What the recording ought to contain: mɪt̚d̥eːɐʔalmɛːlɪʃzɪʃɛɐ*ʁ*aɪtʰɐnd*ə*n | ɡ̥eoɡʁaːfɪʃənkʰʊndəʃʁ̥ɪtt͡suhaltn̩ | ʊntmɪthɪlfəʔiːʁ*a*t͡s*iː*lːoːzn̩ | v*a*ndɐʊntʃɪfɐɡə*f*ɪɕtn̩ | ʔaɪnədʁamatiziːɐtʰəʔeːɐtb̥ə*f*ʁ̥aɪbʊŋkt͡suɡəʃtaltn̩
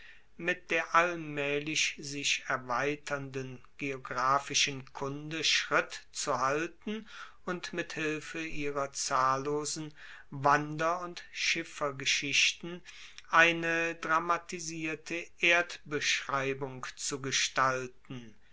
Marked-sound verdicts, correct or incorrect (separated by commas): incorrect, correct, incorrect, incorrect, correct, incorrect, incorrect